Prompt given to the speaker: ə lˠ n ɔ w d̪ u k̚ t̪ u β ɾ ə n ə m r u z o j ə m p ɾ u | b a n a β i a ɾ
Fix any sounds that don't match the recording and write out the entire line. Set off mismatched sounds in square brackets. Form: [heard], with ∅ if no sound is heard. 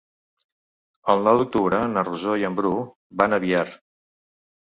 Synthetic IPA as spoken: ə lˠ n ɔ w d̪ u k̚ t̪ u β ɾ ə n ə [∅] r u z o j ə m [b] ɾ u | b a n [ə] β i a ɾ